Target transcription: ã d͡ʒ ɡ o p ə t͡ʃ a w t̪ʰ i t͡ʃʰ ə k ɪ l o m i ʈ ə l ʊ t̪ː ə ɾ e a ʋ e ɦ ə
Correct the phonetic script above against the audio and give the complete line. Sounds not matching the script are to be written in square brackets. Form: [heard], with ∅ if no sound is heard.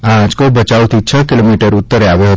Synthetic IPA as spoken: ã d͡ʒ [k] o [b] ə t͡ʃ a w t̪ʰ i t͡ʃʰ ə k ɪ l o m i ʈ ə [ɾ] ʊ t̪ː ə ɾ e a ʋ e ɦ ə